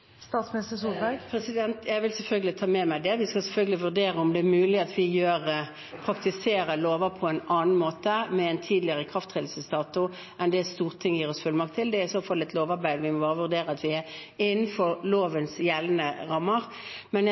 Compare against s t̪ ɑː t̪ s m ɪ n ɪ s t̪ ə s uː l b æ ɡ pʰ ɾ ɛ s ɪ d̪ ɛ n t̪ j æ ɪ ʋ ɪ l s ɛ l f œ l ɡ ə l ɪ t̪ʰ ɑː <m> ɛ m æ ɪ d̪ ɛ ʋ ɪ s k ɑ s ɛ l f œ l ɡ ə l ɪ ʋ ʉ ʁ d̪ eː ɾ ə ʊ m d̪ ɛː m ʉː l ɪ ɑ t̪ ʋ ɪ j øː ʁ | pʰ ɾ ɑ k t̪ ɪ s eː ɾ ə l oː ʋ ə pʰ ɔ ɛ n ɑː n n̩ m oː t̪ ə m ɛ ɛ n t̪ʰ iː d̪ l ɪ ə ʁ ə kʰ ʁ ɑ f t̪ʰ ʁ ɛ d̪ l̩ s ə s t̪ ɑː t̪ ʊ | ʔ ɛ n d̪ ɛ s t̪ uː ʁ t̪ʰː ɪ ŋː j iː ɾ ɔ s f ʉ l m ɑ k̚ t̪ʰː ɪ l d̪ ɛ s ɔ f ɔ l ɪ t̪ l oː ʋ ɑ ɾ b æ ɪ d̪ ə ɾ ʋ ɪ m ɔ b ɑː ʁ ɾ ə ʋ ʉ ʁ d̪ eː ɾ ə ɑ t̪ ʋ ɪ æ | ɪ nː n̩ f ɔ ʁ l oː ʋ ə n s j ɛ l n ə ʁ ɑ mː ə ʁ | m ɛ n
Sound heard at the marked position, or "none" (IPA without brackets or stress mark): m